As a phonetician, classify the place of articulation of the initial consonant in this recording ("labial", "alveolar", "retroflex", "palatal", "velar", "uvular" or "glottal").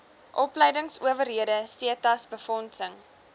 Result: glottal